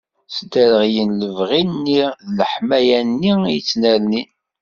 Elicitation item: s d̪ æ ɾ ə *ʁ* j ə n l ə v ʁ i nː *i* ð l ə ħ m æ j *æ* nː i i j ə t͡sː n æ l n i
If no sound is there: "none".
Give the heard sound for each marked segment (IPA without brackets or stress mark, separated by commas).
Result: ʁ, i, æ